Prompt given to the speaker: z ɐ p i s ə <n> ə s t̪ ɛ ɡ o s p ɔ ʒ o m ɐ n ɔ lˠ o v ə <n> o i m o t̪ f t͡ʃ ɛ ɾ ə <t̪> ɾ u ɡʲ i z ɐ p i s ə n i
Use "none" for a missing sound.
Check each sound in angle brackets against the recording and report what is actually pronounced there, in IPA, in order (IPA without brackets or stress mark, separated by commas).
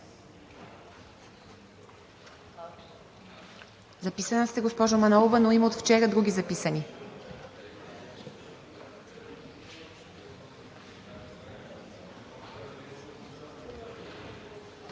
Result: n, n, d̪